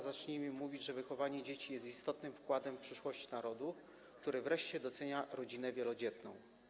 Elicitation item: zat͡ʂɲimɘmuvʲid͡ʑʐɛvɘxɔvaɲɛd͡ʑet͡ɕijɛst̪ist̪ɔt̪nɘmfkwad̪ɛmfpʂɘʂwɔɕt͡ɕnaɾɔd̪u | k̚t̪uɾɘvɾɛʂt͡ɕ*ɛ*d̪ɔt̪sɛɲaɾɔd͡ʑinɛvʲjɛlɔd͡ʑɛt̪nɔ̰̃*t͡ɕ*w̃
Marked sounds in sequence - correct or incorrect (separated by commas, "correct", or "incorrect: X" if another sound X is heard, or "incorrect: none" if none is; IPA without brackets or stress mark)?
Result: correct, incorrect: none